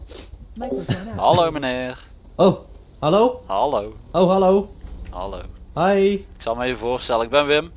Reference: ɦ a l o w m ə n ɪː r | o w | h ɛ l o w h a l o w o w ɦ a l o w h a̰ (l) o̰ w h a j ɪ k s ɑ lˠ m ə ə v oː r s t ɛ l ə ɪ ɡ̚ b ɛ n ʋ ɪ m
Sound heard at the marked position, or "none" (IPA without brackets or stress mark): l